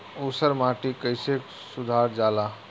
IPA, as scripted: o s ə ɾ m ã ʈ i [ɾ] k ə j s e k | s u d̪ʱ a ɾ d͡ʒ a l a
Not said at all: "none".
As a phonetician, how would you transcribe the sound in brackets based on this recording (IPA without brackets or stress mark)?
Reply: none